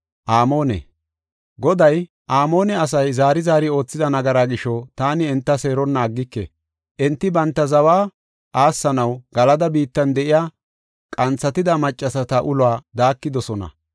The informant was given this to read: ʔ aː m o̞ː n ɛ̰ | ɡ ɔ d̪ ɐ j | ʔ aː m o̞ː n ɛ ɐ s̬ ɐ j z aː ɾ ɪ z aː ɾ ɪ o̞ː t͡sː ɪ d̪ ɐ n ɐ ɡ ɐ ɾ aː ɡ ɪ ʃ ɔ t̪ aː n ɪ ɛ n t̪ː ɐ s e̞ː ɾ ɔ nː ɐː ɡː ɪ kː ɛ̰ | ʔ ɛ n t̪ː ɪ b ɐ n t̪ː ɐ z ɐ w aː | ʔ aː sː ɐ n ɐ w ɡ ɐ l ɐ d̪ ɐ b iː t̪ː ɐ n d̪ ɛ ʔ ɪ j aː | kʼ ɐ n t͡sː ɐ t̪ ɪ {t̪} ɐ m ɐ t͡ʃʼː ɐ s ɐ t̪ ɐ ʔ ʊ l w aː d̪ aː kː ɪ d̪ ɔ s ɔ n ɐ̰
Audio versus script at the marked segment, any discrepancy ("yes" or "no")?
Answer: yes